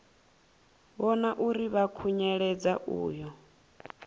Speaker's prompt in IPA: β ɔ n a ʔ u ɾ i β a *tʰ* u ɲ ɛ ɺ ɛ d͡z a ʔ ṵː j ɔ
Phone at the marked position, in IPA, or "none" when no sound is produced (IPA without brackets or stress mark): kʰ